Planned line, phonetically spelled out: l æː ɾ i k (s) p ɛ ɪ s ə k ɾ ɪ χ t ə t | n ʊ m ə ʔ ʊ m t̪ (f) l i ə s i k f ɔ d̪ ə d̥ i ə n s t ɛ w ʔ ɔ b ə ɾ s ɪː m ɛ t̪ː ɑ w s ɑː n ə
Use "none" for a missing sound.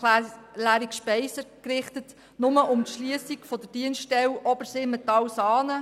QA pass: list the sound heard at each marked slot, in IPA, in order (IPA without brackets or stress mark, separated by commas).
ʃ, ʃ